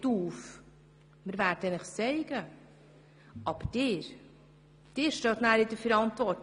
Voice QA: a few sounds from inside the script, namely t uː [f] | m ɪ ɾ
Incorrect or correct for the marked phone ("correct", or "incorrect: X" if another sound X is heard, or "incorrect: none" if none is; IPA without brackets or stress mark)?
correct